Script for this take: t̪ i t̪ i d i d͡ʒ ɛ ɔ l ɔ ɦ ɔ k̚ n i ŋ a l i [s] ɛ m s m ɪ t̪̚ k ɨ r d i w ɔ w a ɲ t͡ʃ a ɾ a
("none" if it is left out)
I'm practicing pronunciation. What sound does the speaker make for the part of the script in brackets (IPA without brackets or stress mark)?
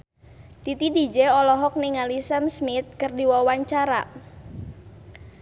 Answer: s